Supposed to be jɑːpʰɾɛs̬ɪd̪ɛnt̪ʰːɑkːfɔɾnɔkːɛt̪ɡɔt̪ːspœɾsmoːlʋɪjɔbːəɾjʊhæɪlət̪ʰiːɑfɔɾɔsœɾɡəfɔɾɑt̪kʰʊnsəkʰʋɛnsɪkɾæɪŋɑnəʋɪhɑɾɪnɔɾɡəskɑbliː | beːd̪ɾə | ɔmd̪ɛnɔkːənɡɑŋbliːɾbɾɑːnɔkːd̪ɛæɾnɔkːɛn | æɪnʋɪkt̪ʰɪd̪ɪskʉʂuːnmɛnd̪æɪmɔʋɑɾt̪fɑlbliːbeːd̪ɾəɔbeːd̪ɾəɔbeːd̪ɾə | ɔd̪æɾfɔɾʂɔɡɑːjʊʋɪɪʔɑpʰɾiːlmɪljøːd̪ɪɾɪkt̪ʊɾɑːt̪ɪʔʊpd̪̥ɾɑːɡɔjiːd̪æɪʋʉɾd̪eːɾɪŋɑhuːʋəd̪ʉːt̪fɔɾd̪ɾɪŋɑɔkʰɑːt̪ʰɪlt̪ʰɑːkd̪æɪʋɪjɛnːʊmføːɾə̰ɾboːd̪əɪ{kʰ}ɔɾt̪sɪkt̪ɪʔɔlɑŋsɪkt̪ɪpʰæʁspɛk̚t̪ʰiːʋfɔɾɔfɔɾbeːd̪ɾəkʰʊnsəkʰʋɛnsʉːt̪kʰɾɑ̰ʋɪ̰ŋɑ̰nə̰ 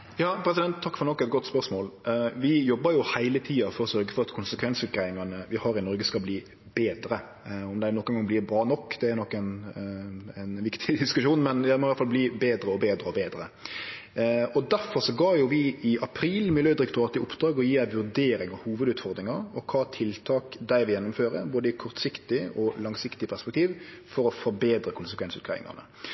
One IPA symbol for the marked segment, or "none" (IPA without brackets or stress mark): kʰ